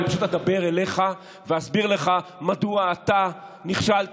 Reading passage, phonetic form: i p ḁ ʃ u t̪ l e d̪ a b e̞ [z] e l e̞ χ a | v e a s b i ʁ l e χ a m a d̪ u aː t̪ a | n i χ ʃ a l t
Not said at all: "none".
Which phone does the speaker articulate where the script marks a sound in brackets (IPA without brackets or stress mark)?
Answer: ʁ